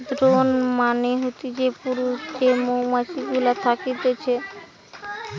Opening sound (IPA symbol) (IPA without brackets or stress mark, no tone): d̪